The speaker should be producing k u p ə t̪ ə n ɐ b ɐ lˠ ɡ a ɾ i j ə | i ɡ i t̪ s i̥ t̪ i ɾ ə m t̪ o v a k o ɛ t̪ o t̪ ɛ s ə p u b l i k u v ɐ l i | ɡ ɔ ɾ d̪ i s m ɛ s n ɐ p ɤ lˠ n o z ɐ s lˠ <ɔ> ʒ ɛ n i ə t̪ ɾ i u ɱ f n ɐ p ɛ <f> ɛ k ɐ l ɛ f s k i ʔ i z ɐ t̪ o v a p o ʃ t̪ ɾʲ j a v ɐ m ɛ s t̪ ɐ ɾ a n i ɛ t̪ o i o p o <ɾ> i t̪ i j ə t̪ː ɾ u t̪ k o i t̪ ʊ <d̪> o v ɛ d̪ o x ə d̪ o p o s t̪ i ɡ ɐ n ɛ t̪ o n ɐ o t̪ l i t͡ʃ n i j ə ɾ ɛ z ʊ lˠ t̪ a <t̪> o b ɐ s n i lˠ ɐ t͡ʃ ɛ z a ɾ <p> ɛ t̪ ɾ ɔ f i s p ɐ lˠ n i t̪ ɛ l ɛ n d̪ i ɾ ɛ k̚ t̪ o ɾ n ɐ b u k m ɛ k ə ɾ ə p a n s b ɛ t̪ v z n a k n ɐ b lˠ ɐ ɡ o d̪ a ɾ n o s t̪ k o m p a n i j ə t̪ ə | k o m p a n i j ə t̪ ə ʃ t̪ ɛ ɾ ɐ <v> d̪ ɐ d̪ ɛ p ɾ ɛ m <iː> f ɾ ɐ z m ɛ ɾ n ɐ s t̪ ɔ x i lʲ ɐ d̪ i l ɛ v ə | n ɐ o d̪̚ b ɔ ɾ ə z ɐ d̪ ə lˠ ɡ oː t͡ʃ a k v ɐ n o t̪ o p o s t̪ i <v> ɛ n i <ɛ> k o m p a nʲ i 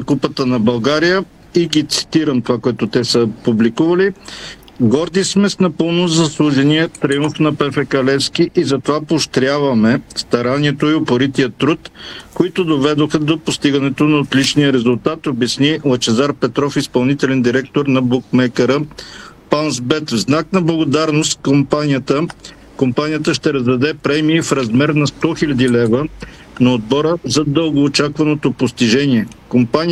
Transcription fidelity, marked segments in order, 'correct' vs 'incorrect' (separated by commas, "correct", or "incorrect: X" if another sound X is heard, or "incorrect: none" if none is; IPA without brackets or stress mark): incorrect: u, correct, correct, correct, correct, correct, incorrect: z, correct, incorrect: ʒ, correct